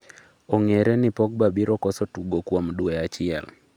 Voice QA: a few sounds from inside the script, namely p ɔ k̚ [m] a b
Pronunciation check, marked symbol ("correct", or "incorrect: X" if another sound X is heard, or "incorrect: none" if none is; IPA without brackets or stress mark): incorrect: b